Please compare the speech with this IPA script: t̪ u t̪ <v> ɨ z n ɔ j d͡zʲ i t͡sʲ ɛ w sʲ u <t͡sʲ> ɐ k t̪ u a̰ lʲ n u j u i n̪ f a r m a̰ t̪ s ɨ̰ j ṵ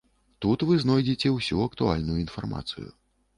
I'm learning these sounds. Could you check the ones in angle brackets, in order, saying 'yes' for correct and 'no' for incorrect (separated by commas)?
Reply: yes, no